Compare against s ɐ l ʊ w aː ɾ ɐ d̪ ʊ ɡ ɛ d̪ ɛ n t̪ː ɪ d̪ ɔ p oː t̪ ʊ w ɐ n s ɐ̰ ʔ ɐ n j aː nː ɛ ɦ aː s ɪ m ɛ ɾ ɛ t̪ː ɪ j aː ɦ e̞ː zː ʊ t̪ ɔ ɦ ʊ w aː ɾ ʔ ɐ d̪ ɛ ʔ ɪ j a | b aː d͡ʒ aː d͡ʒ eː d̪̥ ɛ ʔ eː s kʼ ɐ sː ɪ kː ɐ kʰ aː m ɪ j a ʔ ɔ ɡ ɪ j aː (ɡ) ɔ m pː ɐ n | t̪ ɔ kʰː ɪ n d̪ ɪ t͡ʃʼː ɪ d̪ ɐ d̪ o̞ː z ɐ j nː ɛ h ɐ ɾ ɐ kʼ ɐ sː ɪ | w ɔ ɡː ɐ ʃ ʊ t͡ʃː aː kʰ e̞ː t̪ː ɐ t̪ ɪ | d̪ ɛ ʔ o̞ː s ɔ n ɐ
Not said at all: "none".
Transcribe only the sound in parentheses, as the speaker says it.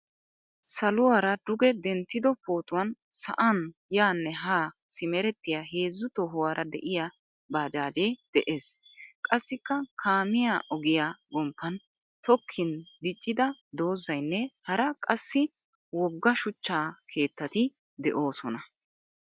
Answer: ɡ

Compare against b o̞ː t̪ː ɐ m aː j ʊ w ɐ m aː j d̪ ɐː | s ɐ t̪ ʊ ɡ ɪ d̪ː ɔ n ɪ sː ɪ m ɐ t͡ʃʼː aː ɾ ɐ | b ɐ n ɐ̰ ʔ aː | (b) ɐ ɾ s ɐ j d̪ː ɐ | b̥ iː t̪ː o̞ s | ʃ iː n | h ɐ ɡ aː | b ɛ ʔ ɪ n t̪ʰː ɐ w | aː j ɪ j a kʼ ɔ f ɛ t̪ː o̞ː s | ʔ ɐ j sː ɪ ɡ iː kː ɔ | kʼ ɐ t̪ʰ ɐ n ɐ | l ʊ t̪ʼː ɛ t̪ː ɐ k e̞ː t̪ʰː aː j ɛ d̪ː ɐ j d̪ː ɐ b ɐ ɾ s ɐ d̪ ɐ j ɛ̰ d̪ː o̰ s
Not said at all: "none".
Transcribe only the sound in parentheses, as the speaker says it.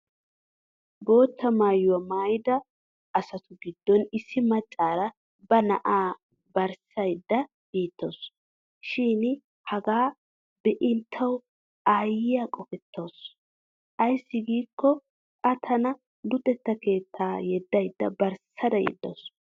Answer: b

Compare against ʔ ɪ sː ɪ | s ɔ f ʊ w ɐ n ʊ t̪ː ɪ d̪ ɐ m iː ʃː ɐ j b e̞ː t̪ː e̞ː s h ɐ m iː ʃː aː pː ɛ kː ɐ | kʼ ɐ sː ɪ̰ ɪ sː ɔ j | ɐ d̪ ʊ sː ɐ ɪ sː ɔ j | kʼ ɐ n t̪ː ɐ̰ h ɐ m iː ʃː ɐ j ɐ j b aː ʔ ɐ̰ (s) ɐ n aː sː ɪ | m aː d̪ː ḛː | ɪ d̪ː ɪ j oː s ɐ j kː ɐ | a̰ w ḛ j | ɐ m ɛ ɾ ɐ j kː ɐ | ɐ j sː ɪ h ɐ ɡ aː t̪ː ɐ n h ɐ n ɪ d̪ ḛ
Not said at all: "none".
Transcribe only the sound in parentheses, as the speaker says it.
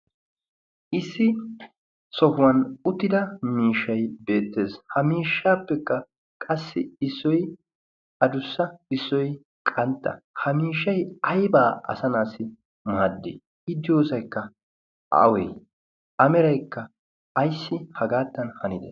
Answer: s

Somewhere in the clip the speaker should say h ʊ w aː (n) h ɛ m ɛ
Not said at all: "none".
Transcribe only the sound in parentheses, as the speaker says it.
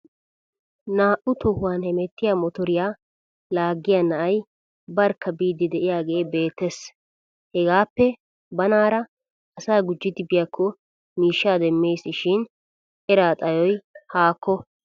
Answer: n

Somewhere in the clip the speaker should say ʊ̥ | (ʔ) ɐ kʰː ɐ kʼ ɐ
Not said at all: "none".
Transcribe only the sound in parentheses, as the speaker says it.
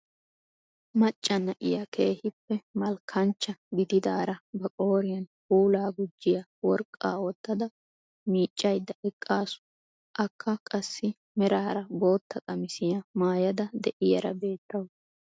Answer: ʔ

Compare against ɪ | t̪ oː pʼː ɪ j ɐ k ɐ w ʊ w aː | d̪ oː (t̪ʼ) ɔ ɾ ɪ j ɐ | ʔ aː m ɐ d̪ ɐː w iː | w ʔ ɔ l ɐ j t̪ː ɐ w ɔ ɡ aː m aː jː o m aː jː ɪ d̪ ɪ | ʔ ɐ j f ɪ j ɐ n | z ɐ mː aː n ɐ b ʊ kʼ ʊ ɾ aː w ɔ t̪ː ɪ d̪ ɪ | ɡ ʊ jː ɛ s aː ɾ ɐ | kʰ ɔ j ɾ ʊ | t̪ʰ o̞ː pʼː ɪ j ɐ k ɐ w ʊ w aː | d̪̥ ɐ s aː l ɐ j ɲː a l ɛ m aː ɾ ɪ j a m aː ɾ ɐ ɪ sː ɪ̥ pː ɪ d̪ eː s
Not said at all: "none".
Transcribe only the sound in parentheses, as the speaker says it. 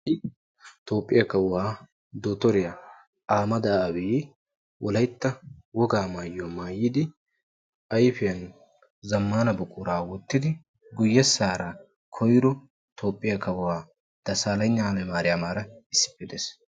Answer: t̪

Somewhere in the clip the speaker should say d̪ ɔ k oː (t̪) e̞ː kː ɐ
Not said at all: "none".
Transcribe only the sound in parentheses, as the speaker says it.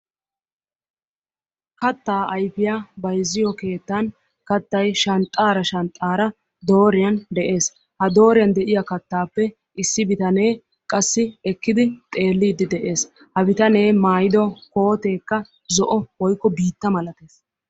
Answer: t̪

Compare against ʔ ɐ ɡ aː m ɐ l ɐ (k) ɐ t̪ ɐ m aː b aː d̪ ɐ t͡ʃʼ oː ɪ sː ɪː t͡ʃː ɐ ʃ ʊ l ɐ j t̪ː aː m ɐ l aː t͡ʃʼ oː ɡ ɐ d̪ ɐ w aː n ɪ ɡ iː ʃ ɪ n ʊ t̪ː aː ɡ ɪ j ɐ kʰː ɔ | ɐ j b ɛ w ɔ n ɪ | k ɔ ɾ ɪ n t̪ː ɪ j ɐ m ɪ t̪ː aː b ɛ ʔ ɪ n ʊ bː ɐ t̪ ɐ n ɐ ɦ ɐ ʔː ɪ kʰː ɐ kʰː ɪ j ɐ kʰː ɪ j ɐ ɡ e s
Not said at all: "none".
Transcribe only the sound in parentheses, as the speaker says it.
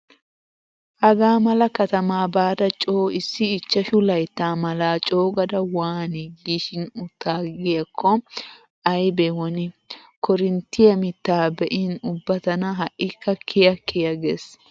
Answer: k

